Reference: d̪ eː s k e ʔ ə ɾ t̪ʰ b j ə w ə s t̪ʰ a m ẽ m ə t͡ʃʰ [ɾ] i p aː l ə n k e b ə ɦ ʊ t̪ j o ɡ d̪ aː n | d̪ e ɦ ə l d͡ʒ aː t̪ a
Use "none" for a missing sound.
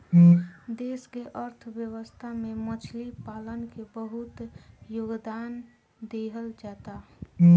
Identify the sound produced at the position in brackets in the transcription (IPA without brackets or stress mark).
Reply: l